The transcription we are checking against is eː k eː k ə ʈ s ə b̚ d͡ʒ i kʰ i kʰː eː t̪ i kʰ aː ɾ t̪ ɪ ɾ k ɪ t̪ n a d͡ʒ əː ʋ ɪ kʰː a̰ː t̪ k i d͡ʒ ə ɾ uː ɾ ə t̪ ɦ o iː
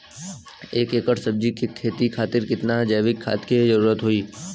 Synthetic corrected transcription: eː k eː k ə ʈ s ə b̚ d͡ʒ i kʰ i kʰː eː t̪ i kʰ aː t̪ ɪ ɾ k ɪ t̪ n a d͡ʒ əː ʋ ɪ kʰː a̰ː t̪ k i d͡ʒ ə ɾ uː ɾ ə t̪ ɦ o iː